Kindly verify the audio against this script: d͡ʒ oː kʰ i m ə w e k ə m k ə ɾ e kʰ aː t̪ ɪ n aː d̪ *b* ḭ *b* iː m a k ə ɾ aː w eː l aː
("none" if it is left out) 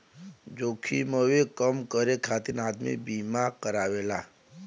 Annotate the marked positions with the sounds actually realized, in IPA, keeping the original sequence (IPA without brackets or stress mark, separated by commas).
m, b